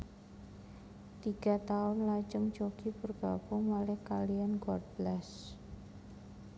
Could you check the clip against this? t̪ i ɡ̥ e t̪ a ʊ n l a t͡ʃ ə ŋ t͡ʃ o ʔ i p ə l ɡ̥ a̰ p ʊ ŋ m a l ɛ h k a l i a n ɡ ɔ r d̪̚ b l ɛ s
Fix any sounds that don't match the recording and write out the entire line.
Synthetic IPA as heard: t̪ i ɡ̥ a t̪ a ʊ n l a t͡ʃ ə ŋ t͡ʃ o k i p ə r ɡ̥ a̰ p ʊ ŋ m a l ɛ h k a l i a n ɡ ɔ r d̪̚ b l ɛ s